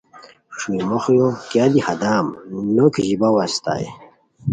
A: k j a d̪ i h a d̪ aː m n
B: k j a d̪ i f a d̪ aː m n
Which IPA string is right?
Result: A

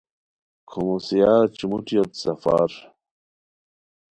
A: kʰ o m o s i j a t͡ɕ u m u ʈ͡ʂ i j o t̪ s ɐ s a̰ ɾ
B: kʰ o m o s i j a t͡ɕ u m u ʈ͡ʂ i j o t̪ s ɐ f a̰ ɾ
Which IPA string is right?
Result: B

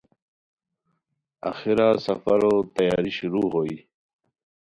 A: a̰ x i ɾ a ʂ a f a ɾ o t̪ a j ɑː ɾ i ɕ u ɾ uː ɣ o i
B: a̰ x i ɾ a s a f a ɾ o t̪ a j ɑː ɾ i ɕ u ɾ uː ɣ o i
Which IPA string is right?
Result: B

